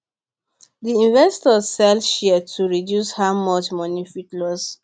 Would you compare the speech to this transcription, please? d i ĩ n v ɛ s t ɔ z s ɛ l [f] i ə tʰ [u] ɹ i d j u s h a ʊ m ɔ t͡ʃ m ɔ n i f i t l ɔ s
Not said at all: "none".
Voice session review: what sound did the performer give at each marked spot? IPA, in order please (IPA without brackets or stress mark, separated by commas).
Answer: ʃ, u